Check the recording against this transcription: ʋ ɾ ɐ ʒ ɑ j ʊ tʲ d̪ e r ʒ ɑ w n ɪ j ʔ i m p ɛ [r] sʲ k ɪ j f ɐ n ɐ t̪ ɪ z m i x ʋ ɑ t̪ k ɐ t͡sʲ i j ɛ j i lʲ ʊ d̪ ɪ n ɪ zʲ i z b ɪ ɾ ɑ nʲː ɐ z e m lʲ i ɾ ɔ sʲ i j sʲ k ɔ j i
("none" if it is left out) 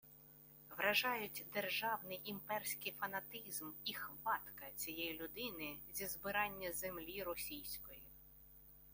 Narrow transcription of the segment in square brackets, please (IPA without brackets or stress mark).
r